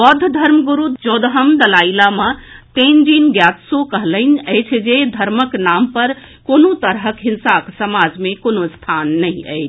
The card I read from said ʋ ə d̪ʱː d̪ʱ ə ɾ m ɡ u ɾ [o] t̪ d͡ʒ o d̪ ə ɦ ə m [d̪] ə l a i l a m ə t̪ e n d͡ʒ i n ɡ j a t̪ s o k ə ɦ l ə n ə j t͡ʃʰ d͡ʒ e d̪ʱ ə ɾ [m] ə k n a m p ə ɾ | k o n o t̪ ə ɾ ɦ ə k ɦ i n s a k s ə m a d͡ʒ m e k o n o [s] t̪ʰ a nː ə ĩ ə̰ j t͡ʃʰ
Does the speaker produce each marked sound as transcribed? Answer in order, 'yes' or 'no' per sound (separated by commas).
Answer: no, yes, yes, yes